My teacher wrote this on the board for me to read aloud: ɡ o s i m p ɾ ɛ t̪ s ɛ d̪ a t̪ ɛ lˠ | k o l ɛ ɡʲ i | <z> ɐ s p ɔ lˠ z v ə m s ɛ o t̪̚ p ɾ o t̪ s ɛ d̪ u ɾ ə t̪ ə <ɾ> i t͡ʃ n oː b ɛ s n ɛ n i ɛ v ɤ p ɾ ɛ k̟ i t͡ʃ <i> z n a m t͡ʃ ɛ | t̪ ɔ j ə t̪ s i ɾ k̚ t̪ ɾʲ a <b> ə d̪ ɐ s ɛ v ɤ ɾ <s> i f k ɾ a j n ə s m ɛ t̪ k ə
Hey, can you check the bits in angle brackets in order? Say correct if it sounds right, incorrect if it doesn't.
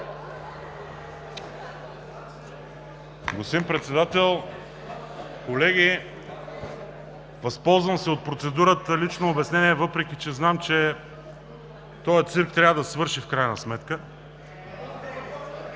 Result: incorrect: v, incorrect: l, incorrect: ɛ, incorrect: v, incorrect: ʃ

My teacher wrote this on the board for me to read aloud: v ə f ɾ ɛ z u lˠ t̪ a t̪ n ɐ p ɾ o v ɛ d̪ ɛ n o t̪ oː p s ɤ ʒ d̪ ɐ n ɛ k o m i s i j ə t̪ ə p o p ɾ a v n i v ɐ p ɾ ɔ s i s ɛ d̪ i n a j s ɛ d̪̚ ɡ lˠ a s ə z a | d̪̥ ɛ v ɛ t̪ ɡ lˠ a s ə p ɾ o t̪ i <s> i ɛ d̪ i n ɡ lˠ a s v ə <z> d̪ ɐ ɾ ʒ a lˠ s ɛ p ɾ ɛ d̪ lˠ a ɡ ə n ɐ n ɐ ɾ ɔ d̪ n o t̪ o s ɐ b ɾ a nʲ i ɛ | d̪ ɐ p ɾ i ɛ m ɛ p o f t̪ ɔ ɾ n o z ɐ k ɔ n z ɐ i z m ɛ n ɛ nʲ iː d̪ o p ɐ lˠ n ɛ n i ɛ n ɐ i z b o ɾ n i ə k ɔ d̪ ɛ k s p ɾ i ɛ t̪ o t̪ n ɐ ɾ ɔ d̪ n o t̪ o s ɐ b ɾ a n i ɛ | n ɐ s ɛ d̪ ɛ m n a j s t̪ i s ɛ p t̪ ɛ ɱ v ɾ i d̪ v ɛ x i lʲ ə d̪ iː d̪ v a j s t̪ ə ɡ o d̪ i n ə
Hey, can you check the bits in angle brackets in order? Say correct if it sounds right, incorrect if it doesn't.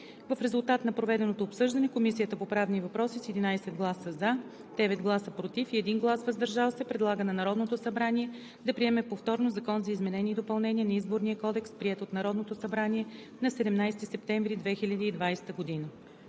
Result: incorrect: f, correct

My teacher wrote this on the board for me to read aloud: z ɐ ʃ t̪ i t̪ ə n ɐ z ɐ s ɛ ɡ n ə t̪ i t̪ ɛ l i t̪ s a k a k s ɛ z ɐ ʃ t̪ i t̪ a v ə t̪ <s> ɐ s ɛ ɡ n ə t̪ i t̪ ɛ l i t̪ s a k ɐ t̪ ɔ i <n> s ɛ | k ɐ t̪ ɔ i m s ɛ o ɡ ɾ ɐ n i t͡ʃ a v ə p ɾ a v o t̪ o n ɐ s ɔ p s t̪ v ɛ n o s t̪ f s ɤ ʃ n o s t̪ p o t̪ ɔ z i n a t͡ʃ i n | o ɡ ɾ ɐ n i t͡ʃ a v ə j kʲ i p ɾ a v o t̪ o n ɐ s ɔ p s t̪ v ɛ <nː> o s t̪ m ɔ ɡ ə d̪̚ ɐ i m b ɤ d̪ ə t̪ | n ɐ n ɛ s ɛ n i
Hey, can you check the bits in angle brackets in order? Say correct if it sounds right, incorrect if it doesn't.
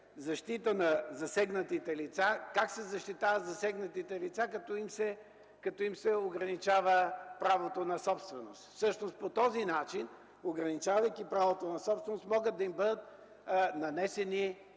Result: incorrect: z, incorrect: m, incorrect: n

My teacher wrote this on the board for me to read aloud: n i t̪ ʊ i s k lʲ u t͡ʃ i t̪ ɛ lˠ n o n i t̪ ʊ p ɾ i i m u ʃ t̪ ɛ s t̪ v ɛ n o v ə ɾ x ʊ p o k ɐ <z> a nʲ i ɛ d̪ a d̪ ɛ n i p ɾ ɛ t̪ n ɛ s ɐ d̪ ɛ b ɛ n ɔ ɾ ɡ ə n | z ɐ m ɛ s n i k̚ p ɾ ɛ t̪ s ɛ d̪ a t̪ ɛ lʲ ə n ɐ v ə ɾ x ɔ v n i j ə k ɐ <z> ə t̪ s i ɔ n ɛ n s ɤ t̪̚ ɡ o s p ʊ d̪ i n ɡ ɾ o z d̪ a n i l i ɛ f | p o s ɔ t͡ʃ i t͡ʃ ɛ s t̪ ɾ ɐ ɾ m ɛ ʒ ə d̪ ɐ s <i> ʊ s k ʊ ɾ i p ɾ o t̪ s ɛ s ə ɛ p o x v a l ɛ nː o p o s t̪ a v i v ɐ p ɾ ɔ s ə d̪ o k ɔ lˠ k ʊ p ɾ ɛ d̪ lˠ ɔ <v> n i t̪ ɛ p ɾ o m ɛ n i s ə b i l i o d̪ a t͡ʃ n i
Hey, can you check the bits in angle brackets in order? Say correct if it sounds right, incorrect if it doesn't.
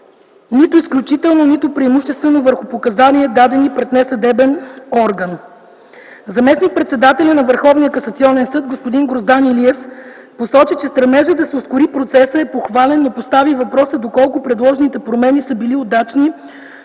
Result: correct, incorrect: s, incorrect: ɛ, incorrect: ʒ

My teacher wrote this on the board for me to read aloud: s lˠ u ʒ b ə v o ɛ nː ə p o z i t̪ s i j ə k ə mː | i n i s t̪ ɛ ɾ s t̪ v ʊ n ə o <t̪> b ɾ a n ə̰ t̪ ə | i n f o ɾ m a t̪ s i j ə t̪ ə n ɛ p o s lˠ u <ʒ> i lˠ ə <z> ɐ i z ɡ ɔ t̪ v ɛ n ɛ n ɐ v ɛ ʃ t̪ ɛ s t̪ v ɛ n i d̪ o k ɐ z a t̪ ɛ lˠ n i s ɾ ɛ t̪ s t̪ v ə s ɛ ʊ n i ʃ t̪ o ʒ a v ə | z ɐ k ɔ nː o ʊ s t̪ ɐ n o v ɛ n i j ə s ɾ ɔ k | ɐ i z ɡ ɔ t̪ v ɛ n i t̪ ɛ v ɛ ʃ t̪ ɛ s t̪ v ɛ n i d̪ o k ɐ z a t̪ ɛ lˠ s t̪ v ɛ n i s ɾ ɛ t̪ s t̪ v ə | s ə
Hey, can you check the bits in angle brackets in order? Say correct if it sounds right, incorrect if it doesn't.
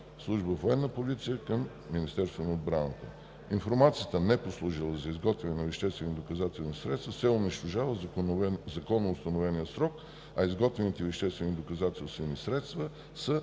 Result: incorrect: d̪, correct, correct

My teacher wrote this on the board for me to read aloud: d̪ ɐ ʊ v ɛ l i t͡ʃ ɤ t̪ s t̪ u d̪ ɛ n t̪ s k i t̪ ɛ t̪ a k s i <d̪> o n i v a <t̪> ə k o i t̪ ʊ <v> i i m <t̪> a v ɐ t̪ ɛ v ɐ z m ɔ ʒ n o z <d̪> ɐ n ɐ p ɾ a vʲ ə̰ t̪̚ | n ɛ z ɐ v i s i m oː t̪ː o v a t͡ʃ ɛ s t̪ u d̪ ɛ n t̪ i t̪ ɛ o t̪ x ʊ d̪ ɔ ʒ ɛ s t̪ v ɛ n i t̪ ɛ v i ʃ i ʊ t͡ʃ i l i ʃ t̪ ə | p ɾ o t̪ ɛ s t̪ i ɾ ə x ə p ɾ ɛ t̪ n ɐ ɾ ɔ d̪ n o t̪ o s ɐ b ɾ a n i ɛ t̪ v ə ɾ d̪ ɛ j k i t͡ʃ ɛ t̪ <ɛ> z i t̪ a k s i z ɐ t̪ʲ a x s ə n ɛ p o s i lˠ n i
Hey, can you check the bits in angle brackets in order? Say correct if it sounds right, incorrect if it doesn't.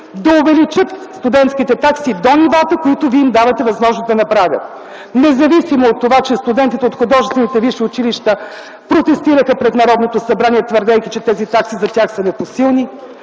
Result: correct, correct, correct, incorrect: d̪, correct, correct

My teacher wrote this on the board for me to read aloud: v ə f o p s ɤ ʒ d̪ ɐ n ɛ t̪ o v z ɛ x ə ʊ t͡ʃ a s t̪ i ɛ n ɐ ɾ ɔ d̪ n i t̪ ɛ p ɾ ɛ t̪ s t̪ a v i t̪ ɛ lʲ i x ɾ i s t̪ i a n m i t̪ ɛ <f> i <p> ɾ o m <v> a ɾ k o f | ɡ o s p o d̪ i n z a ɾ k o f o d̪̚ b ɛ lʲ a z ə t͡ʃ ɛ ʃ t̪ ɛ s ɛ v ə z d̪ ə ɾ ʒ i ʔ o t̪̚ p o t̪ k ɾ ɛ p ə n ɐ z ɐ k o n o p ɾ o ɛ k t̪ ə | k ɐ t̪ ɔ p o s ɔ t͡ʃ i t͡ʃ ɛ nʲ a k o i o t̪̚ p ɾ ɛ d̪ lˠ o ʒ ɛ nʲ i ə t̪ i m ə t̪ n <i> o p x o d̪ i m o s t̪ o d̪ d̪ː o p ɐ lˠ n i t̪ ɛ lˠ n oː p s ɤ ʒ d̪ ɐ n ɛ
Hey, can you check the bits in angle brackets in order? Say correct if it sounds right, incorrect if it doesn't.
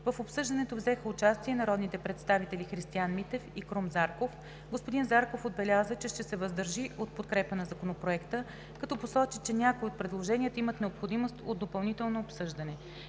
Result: correct, incorrect: k, incorrect: z, incorrect: ɛ

